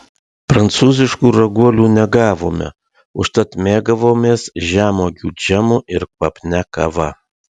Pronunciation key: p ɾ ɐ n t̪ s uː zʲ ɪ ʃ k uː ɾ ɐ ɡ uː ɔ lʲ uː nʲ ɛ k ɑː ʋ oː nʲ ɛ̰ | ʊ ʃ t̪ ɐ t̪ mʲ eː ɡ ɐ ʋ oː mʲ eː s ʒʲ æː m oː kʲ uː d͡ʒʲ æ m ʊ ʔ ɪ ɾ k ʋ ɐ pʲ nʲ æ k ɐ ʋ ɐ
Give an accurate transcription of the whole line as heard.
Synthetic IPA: p ɾ ɐ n t̪ s uː zʲ ɪ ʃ k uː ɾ ɐ ɡ u ɔ lʲ uː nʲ ɛ ɡ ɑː ʋ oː mʲ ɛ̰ | ʊ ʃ t̪ ɐ t̪ mʲ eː ɡ ɐ ʋ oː mʲ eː s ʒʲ æː m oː ɡʲ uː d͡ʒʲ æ m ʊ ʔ ɪ ɾ k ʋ ɐ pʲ nʲ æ k ɐ ʋ ɐ